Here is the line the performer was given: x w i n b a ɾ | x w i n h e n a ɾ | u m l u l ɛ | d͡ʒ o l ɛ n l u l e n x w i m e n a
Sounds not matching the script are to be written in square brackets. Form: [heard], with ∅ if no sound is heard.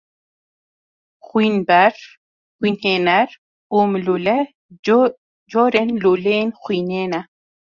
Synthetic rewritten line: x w i n b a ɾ | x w i n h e n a ɾ | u m l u l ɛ | d͡ʒ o [ɾ] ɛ n l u l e n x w i [n] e n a